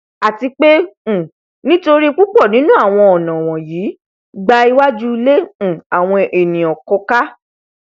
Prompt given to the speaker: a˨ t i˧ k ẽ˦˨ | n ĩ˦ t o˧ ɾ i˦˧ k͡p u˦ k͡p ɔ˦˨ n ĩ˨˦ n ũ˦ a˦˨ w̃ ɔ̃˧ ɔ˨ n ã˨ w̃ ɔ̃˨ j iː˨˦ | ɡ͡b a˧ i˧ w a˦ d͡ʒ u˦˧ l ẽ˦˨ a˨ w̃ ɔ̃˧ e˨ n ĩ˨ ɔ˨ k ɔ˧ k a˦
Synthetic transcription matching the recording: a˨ t i˧ k͡p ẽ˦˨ | n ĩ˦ t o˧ ɾ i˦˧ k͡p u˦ k͡p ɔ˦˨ n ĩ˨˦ n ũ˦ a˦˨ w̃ ɔ̃˧ ɔ˨ n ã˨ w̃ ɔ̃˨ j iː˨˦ | ɡ͡b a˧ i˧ w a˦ d͡ʒ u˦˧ l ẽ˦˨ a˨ w̃ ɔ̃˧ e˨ n ĩ˨ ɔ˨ k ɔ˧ k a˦